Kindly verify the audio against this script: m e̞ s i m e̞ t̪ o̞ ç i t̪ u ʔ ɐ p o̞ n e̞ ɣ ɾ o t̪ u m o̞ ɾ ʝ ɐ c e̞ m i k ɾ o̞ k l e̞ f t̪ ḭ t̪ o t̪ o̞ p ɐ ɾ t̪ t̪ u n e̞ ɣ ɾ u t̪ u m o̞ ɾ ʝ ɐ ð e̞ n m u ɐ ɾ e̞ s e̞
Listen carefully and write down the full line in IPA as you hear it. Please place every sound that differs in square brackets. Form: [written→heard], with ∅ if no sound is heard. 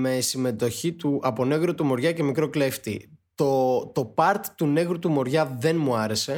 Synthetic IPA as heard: m e̞ s i m e̞ t̪ o̞ ç i t̪ u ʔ ɐ p o̞ n e̞ ɣ ɾ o t̪ u m o̞ ɾ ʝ ɐ c e̞ m i k ɾ o̞ k l e̞ f t̪ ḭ t̪ o t̪ o̞ p ɐ ɾ t̪ t̪ u n e̞ ɣ ɾ u t̪ u m o̞ ɾ ʝ ɐ ð e̞ n m u ɐ ɾ e̞ s e̞